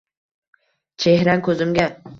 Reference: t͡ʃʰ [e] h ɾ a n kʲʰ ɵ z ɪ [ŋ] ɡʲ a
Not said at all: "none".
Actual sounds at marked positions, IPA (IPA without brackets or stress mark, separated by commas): e, m